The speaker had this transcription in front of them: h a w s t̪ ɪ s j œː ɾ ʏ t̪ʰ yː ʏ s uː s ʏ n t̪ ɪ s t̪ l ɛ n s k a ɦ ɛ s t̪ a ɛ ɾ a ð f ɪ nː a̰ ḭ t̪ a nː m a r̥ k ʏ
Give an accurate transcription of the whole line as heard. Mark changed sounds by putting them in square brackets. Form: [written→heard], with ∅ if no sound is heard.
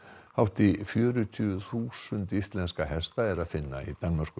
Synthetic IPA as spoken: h a w [s→h] t̪ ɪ [s→f] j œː ɾ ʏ t̪ʰ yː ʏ [s→θ] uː s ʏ n t̪ [ɪ→i] s t̪ l ɛ n s k a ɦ ɛ s t̪ a ɛ ɾ a ð f ɪ nː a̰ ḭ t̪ a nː m a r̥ k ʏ

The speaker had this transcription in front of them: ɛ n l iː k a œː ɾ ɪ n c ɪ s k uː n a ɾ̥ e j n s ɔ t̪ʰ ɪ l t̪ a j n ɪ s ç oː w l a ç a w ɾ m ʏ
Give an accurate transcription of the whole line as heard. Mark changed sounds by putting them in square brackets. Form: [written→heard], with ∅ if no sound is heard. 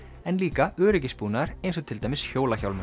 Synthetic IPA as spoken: ɛ n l iː k a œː ɾ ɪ [n→∅] c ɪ s [k→p] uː n a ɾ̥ e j n s ɔ t̪ʰ ɪ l t̪ a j [n→m] ɪ s ç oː w l a ç a w [ɾ→l] m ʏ

